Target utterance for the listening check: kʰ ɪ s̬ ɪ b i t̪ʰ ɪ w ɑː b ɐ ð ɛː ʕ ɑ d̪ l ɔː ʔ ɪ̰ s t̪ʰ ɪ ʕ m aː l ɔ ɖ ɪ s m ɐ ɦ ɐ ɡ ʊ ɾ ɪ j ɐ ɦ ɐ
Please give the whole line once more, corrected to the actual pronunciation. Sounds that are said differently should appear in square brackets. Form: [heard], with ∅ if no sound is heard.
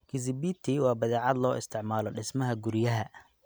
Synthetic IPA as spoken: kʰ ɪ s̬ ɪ b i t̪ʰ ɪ w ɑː b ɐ ð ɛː ʕ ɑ d̪ l ɔː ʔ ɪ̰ s t̪ʰ ɪ ʕ m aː l ɔ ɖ ɪ s m ɐ ɦ ɐ ɡ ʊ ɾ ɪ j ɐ ɦ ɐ